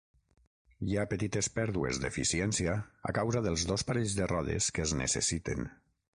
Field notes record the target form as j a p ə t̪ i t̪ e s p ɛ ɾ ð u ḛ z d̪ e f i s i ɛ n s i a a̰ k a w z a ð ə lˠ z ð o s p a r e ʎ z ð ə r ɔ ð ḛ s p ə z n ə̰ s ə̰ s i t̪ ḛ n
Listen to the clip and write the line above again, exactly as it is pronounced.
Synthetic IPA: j a p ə t̪ i t̪ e s p ɛ ɾ ð u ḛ z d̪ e f i s i ɛ n s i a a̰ k a w z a ð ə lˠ z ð o s p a ɾ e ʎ z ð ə r ɔ ð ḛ s k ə z n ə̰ s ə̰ s i t̪ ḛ n